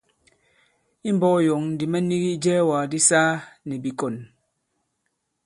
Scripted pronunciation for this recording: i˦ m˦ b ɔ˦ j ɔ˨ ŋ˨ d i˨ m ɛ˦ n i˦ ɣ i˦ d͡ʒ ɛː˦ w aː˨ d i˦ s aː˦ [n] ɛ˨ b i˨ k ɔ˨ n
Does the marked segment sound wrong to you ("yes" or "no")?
no